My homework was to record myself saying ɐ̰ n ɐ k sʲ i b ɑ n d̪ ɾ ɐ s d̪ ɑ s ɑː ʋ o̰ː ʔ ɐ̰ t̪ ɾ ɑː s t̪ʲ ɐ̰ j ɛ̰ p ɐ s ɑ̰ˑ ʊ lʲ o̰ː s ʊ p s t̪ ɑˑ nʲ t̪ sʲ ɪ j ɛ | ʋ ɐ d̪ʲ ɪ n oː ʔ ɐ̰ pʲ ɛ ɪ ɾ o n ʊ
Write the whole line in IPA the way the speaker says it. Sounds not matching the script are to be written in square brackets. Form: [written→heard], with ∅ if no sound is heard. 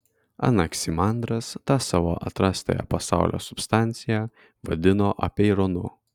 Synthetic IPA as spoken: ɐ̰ n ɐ k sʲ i [b→m] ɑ n d̪ ɾ ɐ s [d̪→t̪] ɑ s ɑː ʋ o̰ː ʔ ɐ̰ t̪ ɾ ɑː s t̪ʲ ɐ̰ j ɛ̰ p ɐ s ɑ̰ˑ ʊ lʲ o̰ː s ʊ p s t̪ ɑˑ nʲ t̪ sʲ ɪ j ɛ | ʋ ɐ d̪ʲ ɪ n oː ʔ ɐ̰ pʲ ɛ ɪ ɾ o n ʊ